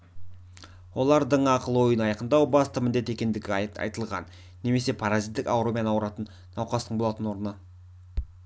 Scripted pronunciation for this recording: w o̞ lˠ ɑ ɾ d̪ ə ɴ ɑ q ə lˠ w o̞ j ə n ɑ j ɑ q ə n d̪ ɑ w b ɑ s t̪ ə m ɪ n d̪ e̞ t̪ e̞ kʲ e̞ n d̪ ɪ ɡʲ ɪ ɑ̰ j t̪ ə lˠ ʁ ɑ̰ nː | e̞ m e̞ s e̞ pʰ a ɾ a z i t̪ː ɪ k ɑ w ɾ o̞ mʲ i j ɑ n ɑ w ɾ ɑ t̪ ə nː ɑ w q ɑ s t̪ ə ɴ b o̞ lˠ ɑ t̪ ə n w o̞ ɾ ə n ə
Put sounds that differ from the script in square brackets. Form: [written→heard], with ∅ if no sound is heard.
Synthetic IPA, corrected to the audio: w o̞ lˠ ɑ ɾ d̪ ə ɴ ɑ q ə lˠ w o̞ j ə n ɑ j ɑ q ə n d̪ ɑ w b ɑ s t̪ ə m ɪ n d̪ e̞ t̪ e̞ kʲ e̞ n d̪ ɪ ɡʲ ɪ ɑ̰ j t̪ ə lˠ ʁ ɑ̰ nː | e̞ m e̞ s e̞ pʰ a ɾ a z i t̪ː ɪ k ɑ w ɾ o̞ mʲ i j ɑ n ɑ w ɾ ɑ t̪ ə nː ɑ w q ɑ s t̪ ə ɴ b o̞ lˠ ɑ t̪ ə n w o̞ ɾ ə n ə